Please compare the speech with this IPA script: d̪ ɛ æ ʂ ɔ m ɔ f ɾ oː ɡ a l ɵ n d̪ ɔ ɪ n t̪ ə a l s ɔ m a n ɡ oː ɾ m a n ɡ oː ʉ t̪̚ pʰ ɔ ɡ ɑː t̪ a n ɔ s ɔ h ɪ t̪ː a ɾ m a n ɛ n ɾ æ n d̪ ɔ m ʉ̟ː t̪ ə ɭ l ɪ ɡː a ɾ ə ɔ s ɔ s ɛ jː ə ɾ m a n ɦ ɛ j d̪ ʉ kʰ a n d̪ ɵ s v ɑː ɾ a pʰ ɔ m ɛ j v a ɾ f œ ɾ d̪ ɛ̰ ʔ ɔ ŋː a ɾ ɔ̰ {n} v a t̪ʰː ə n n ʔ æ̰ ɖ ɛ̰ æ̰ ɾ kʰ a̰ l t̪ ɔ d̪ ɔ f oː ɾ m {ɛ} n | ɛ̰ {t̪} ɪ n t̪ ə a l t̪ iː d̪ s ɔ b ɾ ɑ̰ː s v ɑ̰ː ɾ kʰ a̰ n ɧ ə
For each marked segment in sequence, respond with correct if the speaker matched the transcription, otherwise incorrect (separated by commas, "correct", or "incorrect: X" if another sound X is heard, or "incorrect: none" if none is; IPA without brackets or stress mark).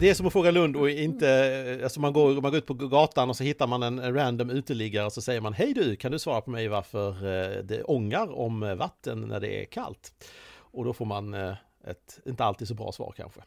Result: incorrect: m, incorrect: a, correct